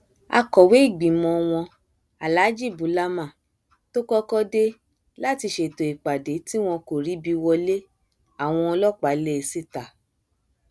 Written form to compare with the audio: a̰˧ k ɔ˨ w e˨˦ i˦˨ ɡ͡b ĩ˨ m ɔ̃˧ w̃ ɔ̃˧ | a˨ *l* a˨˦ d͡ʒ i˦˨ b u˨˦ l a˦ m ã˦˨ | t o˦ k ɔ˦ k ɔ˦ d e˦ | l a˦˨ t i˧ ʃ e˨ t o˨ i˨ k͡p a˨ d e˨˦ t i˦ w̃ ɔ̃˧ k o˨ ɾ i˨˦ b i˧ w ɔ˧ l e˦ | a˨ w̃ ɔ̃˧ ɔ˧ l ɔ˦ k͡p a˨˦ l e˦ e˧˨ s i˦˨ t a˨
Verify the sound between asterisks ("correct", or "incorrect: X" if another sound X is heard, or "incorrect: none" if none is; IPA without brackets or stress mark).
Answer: correct